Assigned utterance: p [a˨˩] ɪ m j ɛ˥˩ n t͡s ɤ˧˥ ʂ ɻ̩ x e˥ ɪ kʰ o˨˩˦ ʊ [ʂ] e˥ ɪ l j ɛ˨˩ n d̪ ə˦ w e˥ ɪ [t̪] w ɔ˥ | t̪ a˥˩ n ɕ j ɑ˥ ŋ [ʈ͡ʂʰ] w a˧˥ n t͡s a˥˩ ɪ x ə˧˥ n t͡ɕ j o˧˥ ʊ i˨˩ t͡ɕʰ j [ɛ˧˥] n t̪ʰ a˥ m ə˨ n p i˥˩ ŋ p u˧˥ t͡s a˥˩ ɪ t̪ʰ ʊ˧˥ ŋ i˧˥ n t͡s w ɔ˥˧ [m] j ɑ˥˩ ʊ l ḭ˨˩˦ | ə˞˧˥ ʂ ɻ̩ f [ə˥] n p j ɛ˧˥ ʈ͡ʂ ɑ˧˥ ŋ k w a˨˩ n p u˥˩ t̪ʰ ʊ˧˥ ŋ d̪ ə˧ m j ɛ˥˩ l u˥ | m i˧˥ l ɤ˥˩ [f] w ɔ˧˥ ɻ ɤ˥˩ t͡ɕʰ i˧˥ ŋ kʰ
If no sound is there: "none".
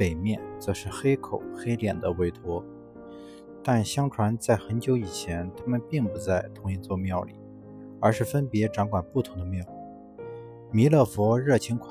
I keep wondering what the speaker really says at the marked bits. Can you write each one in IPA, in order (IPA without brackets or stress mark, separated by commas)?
e˨˩, x, t̪ʰ, ʈ͡ʂʰ, ɛ˧˥, m, ə˥, f